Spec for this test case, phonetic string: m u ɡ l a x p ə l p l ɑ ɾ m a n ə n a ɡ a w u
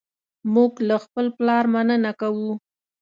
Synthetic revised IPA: m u ɡ l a x p ə l p l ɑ ɾ m a n ə n a k a w u